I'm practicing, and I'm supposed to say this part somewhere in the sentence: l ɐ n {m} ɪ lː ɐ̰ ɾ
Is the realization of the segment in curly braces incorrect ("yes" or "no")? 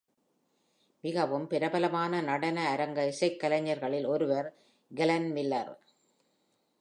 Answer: no